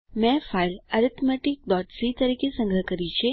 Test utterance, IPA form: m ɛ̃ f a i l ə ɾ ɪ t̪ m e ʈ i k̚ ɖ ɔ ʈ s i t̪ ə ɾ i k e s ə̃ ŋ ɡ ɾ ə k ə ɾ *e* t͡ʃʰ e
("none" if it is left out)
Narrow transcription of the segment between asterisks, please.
i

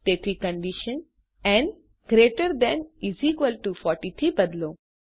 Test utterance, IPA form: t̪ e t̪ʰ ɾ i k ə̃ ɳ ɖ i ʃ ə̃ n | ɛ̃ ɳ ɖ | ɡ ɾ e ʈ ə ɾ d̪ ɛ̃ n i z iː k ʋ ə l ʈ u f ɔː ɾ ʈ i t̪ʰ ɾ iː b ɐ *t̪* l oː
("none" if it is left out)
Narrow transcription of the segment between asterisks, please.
d̪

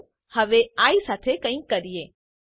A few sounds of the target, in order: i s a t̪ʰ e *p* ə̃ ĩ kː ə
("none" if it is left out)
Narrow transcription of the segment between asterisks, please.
k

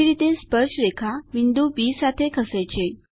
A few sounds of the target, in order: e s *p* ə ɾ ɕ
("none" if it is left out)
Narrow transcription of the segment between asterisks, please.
p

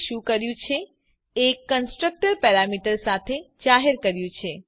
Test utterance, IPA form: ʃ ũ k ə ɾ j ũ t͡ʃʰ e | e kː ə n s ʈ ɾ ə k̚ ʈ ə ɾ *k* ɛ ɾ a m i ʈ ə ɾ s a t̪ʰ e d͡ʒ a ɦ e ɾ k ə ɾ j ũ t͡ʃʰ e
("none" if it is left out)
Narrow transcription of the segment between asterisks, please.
p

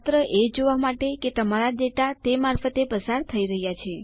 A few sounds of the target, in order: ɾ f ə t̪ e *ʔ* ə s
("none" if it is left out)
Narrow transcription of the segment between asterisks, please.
p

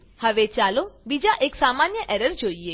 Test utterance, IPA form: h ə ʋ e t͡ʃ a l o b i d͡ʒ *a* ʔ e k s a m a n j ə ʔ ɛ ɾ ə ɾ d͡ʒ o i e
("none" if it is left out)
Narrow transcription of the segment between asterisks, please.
a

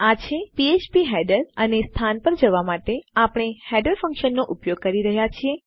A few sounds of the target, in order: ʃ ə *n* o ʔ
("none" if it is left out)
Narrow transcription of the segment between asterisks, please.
nː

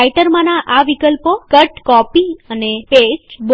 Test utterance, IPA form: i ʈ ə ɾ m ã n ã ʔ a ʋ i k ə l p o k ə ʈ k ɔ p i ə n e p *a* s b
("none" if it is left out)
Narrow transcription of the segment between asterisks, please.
e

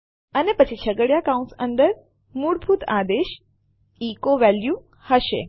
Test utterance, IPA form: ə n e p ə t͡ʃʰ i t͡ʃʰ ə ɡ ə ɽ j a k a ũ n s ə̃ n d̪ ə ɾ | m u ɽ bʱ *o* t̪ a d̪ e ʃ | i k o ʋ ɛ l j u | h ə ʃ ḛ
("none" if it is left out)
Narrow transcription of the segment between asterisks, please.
u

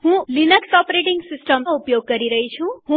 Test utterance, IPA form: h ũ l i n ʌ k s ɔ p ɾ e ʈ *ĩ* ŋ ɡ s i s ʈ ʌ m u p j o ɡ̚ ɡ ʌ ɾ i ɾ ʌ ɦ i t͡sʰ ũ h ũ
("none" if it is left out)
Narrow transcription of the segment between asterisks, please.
i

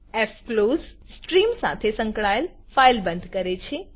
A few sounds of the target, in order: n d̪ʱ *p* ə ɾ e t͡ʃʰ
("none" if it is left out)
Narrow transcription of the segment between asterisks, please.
k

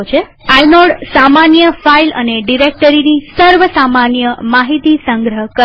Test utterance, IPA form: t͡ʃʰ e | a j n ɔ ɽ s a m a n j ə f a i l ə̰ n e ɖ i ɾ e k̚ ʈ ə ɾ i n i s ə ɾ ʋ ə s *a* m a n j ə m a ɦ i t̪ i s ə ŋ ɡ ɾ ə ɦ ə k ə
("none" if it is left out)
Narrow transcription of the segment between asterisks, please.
a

